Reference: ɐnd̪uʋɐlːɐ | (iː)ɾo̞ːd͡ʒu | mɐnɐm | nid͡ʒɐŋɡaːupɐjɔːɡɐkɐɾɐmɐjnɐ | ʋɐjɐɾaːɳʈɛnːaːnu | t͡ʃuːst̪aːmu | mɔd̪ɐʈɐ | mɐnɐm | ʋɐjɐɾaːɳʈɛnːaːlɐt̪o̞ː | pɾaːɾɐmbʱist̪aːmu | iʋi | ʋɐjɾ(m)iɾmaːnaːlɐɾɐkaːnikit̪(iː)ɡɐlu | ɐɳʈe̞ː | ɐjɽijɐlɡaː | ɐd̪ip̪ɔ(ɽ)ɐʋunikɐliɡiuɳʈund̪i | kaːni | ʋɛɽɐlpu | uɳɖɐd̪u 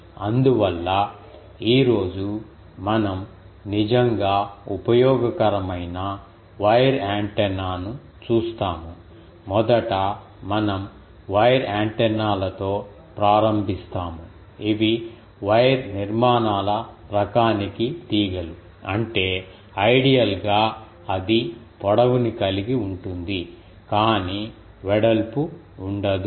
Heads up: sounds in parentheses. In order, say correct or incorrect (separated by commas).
correct, incorrect, correct, correct